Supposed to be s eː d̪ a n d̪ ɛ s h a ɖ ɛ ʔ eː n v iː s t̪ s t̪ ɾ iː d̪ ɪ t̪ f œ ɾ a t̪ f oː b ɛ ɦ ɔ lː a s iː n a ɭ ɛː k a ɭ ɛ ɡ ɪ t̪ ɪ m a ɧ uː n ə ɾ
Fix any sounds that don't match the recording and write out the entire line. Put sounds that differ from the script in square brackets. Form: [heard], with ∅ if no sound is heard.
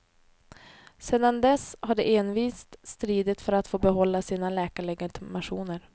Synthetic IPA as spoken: s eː d̪ a n d̪ ɛ s h a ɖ ɛ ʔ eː n v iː s t̪ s t̪ ɾ iː d̪ ɪ t̪ f œ ɾ a t̪ f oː b ɛ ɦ ɔ lː a s iː n a [l] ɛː k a ɭ ɛ ɡ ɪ t̪ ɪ m a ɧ uː n ə ɾ